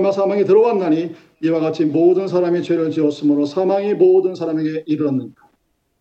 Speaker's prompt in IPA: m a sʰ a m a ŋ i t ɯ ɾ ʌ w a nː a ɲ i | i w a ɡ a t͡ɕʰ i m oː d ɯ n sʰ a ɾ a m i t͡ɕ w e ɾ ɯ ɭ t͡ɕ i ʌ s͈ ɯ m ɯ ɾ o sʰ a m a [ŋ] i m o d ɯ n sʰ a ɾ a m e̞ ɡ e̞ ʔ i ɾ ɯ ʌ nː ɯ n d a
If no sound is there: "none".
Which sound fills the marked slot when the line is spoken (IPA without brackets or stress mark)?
ŋ